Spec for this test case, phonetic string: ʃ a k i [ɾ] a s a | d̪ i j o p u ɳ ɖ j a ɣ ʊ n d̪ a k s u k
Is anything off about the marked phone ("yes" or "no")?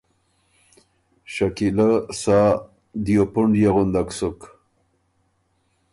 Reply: yes